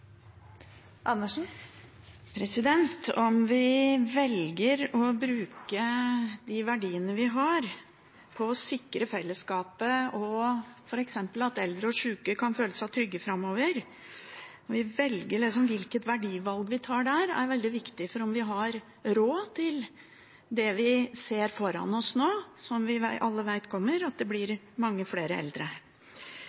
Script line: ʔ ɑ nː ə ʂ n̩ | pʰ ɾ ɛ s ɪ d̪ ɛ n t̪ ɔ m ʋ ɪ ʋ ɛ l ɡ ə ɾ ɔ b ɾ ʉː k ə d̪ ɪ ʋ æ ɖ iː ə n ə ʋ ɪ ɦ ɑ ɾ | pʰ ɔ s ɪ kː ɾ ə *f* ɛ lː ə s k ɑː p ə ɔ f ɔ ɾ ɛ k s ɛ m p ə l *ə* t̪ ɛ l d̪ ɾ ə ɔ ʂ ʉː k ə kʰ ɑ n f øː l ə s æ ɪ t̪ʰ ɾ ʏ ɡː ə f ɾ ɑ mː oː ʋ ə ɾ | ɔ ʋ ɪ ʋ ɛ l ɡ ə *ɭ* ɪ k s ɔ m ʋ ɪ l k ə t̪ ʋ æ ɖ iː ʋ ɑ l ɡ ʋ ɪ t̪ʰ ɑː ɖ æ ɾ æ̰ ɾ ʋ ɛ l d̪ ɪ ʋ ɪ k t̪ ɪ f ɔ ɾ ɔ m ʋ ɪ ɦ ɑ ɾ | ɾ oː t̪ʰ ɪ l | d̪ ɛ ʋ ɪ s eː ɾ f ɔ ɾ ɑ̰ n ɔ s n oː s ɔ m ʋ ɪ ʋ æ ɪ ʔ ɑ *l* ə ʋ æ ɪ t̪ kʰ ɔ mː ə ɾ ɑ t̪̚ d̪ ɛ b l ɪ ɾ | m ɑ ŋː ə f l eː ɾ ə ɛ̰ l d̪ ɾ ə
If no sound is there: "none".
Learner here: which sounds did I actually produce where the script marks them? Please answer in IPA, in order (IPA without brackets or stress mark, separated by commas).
f, ɑ, ɭ, lː